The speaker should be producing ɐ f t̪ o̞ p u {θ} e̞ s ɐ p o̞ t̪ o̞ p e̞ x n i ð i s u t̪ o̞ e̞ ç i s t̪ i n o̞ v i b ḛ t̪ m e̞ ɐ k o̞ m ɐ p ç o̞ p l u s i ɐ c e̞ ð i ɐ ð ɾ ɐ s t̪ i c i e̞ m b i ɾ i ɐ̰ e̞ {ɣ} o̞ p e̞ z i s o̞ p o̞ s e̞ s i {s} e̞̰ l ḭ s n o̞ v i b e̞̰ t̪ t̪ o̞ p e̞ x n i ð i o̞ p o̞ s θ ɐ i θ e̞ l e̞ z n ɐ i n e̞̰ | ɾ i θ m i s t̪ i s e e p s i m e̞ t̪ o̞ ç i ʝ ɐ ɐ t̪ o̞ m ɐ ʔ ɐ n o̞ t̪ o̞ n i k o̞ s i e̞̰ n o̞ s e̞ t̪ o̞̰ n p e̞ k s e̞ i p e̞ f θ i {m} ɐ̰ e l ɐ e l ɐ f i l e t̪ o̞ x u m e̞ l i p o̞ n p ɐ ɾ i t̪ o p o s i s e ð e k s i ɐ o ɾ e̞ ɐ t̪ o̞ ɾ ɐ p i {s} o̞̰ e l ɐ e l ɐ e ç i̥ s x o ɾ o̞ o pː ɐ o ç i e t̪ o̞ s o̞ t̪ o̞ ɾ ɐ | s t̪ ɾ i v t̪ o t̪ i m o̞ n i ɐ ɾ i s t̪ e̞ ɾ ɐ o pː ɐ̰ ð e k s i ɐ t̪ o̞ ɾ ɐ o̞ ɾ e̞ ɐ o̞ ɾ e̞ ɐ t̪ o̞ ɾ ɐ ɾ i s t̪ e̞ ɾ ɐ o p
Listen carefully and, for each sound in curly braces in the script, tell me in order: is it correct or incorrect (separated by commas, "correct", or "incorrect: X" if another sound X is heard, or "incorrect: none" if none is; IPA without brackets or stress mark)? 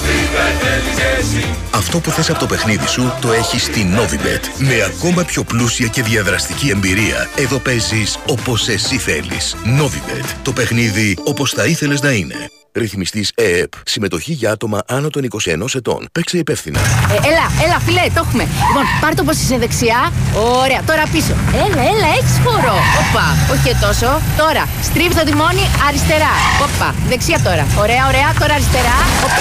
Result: correct, incorrect: ð, incorrect: θ, incorrect: n, correct